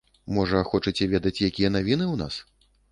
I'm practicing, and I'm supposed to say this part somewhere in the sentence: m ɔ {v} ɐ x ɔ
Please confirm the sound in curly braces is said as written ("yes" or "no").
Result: no